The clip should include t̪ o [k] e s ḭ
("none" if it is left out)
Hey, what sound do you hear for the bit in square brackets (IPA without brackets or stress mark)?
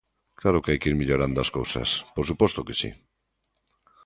k